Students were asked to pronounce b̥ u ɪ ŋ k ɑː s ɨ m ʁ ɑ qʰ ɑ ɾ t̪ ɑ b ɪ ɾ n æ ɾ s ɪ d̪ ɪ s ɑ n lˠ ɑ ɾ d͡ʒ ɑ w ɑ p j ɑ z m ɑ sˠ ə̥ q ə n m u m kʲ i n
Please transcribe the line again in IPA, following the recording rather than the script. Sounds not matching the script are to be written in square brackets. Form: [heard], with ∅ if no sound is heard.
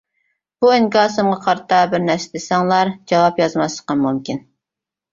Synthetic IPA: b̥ u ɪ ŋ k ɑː s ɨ m ʁ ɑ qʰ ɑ ɾ t̪ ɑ b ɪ ɾ n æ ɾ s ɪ d̪ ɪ s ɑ [ŋ] lˠ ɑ ɾ d͡ʒ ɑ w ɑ p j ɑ z m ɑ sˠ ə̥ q [ɑ] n m u m kʲ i n